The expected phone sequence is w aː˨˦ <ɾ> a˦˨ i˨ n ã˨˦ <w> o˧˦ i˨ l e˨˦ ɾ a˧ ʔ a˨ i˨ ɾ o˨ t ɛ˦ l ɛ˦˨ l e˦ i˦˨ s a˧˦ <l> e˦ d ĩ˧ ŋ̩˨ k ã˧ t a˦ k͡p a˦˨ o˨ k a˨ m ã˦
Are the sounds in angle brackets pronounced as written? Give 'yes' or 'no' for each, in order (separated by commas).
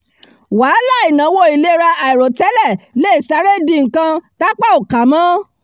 no, yes, no